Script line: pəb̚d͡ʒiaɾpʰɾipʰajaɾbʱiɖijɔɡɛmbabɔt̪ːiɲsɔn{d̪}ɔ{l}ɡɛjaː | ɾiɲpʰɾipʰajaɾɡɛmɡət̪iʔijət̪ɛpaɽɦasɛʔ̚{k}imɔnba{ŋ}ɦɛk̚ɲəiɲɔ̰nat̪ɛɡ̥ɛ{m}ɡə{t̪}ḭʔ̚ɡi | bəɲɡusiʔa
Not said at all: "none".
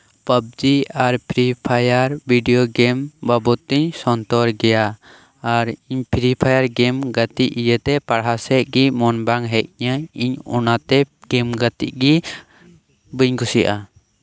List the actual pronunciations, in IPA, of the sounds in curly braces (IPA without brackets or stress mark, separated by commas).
t̪, ɾ, ɡ, ŋ, m, t̪